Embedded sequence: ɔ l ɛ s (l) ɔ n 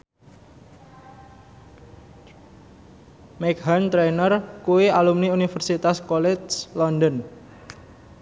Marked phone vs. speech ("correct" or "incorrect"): correct